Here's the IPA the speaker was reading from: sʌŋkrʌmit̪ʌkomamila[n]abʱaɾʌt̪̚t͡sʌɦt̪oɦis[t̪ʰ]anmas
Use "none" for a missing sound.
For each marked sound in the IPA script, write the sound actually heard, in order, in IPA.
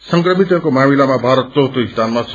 m, t̪

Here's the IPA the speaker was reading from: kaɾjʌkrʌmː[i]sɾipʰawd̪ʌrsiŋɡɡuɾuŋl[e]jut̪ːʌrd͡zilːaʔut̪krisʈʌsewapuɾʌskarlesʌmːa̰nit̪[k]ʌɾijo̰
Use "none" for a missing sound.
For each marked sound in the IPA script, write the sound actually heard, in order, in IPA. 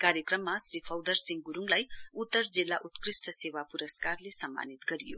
a, a, ɡ

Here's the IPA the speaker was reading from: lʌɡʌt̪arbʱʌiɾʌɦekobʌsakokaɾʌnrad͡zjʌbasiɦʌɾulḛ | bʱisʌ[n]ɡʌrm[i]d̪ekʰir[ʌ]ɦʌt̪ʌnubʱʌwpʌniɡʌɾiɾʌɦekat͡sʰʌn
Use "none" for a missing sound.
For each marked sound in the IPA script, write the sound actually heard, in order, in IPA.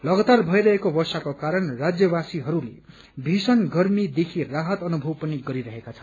n, i, a

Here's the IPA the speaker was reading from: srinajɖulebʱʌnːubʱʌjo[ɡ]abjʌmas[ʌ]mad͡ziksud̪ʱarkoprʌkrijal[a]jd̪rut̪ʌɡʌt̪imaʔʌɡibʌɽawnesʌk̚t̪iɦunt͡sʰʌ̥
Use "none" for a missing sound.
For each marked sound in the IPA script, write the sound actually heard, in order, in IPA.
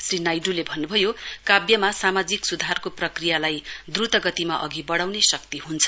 k, a, a

